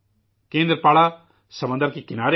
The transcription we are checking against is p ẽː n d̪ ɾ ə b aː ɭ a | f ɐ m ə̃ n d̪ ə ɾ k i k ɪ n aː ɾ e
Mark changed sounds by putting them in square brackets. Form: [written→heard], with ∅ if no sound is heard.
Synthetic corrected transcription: [p→k] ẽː n d̪ ɾ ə [b→p] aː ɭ a | [f→s] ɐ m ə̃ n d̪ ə ɾ k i k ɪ n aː ɾ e